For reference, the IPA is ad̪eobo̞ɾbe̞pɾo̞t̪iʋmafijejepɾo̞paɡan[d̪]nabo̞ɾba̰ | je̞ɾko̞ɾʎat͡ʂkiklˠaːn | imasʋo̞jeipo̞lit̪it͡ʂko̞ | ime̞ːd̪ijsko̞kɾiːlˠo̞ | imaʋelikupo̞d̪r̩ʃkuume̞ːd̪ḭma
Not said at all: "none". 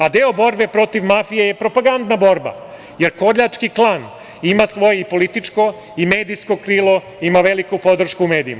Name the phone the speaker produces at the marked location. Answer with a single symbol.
d̪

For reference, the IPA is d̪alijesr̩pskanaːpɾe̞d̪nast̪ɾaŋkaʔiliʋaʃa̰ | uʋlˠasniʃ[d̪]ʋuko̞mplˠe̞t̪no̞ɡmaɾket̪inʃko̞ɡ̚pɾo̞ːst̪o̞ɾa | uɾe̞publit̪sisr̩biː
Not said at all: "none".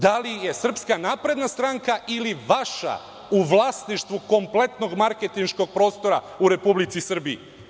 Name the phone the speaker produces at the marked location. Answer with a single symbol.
t̪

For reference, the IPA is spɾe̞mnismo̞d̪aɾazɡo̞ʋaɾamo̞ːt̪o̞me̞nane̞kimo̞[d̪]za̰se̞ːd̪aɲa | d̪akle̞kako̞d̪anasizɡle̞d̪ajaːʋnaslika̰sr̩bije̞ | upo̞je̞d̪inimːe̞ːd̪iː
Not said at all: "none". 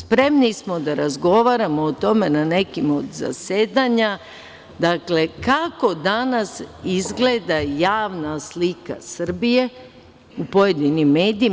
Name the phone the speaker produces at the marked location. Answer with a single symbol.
d̪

